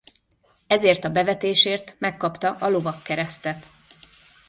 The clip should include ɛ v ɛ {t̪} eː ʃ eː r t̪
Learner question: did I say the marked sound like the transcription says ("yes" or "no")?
yes